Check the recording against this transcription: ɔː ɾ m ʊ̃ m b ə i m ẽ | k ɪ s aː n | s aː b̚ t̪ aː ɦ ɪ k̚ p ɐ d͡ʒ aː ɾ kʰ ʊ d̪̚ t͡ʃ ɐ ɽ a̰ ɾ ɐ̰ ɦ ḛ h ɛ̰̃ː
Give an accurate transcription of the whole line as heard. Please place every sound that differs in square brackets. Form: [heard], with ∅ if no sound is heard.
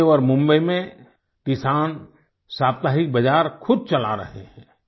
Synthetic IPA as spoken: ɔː ɾ m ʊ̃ m b ə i m ẽ | k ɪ s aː n | s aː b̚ t̪ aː ɦ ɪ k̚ [b] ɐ d͡ʒ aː ɾ kʰ ʊ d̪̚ t͡ʃ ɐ [l] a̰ ɾ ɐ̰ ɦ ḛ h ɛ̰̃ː